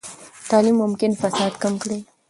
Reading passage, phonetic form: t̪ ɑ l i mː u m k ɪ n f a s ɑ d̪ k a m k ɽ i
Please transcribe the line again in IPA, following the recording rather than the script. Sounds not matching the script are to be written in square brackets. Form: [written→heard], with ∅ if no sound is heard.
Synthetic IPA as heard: t̪ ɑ l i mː [u→ʊ] m k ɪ n f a s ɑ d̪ k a m k ɽ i